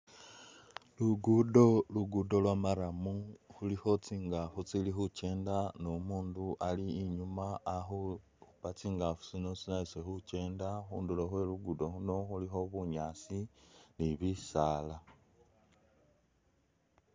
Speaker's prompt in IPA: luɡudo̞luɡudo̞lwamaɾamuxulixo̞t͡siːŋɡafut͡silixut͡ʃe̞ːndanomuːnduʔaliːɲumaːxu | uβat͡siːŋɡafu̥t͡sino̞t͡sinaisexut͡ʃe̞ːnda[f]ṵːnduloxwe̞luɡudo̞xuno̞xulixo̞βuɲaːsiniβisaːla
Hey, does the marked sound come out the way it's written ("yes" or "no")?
no